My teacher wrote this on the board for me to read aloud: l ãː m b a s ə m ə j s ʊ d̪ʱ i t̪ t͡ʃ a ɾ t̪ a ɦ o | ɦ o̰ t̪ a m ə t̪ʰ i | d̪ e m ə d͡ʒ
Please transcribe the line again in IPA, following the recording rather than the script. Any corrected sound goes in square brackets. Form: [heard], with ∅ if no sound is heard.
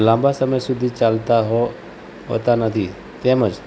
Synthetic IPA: l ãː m b a s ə m ə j s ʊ d̪ʱ i [∅] t͡ʃ a [l] t̪ a ɦ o | ɦ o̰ t̪ a [n] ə t̪ʰ i | [t̪] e m ə d͡ʒ